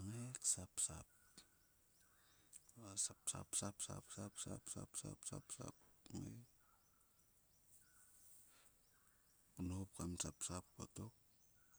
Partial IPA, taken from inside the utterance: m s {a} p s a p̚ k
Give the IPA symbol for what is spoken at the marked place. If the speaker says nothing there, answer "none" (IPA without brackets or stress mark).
a